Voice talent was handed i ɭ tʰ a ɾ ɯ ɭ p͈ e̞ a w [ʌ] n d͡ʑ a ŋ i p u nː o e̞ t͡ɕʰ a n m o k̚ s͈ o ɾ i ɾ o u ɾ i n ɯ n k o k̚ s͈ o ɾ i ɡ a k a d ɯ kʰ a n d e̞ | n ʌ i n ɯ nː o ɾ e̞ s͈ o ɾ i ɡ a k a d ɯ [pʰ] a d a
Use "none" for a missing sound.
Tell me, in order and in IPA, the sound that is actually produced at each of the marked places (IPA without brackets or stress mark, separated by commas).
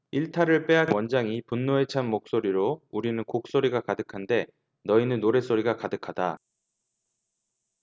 ʌ, kʰ